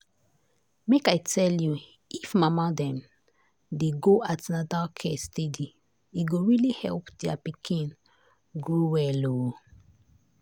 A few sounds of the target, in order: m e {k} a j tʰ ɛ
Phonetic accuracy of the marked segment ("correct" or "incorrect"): correct